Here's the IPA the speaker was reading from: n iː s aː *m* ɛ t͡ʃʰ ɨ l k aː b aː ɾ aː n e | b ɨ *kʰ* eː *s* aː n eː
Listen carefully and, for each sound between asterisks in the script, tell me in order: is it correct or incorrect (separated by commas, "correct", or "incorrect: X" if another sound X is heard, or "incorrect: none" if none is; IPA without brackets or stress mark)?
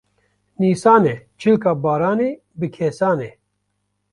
incorrect: n, correct, correct